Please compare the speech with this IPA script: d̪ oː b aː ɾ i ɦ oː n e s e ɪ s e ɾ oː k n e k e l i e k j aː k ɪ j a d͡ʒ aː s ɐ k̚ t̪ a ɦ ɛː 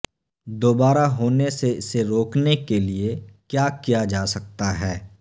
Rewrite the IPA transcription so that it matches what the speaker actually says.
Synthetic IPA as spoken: d̪ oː b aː ɾ a ɦ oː n e s e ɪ s e ɾ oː k n e k e l i e k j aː k i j a d͡ʒ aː s ɐ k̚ t̪ a ɦ ɛː